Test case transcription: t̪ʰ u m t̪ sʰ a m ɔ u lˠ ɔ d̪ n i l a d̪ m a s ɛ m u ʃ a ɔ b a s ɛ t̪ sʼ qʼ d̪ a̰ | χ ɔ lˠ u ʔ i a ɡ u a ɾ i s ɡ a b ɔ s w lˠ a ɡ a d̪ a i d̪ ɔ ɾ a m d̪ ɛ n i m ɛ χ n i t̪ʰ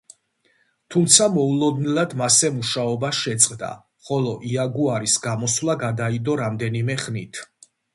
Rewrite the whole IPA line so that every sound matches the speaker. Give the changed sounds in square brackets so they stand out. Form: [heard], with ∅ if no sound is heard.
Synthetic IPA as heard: t̪ʰ u m t̪ sʰ a m ɔ u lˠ ɔ d̪ n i l a d̪ m a s ɛ m u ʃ a ɔ b a [ʃ] ɛ t̪ sʼ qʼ d̪ a̰ | χ ɔ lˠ [ɔ] ʔ i a ɡ u a ɾ i s ɡ a [m] ɔ s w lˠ a ɡ a d̪ a i d̪ ɔ ɾ a m d̪ ɛ n i m ɛ χ n i t̪ʰ